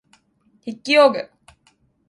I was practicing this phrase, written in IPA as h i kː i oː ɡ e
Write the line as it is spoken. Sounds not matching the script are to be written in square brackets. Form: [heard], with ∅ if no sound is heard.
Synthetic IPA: h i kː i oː ɡ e